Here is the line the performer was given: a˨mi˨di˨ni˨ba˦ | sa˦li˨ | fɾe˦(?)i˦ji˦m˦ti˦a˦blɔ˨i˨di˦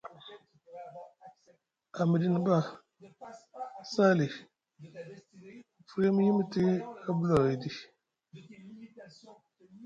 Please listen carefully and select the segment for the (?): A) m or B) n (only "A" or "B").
A